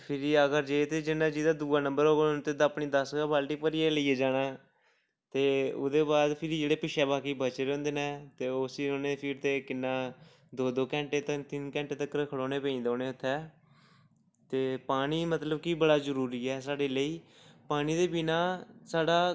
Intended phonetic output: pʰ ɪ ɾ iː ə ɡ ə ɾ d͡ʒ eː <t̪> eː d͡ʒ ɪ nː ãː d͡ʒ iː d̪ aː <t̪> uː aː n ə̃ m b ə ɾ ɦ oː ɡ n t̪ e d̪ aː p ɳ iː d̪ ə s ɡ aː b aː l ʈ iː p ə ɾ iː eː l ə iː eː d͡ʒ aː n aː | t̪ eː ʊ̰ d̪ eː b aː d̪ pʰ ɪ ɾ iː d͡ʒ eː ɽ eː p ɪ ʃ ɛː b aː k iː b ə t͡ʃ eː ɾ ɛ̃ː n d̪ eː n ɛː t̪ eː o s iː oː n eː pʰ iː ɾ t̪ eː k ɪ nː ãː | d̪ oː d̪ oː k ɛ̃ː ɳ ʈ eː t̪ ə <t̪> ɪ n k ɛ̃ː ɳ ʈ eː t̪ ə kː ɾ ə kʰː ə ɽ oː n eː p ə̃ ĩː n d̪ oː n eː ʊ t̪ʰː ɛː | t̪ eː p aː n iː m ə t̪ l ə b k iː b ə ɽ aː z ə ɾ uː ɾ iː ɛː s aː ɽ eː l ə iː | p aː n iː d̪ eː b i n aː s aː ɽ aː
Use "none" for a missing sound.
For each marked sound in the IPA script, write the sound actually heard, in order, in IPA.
t̪, d̪, t̪

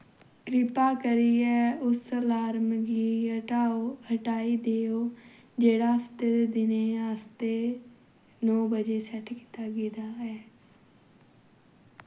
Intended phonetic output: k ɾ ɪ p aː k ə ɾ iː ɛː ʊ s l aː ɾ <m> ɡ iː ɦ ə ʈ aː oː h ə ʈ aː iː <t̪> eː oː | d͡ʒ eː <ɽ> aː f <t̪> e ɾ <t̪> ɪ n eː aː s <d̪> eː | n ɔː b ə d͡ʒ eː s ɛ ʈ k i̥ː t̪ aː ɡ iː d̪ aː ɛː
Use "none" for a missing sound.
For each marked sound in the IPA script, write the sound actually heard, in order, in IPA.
m, d̪, ɽ, t̪, d̪, t̪

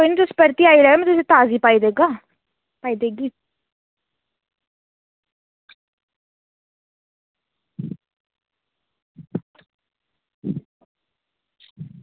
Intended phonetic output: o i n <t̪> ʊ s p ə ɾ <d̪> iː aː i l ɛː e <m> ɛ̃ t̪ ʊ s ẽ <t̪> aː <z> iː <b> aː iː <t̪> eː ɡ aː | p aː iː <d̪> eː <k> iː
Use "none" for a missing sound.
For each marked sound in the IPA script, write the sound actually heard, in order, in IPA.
t̪, t̪, m, t̪, z, p, d̪, d̪, ɡ

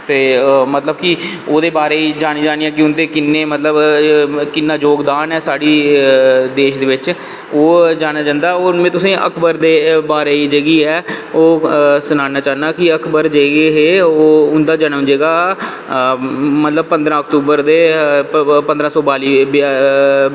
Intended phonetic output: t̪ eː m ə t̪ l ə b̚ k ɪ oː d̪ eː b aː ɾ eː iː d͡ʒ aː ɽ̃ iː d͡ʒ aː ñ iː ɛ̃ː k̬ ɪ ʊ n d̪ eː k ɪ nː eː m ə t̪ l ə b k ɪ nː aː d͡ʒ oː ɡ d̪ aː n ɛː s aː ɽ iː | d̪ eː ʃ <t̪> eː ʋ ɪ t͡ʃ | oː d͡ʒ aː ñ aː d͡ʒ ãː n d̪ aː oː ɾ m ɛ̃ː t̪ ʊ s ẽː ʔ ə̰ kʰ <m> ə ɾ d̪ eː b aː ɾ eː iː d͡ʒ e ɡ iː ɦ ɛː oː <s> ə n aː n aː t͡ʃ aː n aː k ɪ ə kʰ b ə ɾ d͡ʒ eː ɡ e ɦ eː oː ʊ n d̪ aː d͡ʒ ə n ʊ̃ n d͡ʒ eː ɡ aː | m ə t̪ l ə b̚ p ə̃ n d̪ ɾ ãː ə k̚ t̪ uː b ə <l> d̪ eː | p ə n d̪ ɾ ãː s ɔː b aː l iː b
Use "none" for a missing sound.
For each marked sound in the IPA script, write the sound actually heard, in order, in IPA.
d̪, b, s, ɾ

